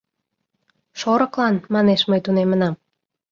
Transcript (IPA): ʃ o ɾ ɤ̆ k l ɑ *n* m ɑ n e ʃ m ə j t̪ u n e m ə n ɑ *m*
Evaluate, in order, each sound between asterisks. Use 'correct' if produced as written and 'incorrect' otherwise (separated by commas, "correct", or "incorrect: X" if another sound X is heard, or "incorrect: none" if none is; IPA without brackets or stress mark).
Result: correct, correct